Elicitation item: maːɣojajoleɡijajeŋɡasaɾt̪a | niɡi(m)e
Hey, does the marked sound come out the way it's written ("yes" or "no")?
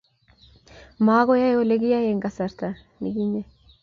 no